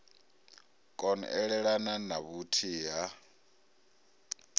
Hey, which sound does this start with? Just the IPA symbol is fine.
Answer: kʼ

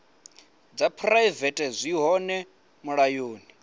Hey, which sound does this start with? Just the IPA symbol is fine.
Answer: d͡z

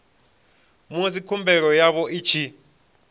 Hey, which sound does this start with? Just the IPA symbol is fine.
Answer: m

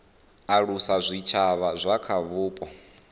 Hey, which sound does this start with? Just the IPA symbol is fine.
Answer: a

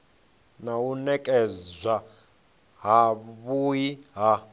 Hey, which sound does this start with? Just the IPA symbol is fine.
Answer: n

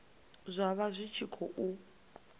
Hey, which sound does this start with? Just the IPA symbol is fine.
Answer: zʷ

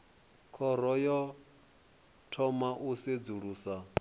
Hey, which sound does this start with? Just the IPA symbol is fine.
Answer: kʰ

